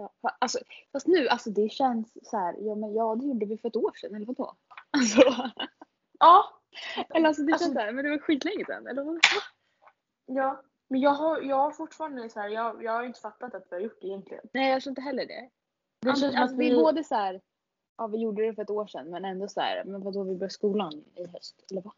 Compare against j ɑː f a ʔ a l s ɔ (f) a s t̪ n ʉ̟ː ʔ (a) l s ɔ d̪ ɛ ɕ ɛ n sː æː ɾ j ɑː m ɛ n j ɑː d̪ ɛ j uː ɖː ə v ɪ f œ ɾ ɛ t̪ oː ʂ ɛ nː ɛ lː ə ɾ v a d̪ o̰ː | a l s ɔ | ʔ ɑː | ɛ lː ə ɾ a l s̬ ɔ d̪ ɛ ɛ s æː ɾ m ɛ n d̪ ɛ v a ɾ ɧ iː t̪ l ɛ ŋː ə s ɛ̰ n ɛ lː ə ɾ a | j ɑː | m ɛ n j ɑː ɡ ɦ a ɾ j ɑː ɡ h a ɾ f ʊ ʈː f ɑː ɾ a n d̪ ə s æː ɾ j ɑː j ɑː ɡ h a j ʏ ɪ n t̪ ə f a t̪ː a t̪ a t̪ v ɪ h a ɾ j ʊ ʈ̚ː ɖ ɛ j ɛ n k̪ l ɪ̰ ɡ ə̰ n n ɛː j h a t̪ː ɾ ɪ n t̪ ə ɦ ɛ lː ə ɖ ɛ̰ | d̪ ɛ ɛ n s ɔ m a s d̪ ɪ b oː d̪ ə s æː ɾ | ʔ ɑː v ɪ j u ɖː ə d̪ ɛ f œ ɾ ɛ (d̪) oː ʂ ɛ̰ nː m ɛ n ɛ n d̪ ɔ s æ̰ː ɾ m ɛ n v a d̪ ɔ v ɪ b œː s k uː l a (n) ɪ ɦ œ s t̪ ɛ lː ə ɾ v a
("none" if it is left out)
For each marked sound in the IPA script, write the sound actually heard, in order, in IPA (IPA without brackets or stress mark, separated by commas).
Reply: f, a, t̪, n